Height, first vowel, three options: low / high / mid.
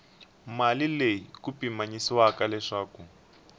low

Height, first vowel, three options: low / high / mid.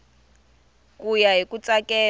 high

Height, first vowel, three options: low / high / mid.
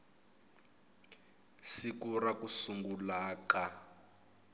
high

